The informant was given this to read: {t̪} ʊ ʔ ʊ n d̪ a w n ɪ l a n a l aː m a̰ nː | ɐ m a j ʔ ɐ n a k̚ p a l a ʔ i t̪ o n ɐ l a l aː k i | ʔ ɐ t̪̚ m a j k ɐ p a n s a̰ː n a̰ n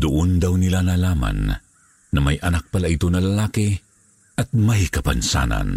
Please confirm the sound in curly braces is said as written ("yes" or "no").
no